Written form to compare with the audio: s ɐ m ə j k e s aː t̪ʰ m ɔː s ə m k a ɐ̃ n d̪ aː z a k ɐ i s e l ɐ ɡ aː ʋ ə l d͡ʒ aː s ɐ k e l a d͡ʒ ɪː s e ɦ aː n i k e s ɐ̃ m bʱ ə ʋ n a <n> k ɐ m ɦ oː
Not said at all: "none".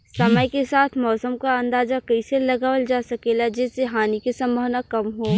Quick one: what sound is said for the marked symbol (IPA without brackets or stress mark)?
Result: none